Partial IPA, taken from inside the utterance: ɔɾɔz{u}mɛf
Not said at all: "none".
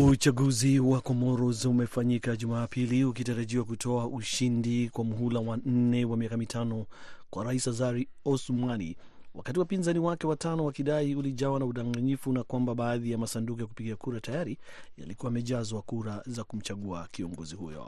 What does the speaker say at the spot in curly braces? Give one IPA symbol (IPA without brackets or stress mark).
u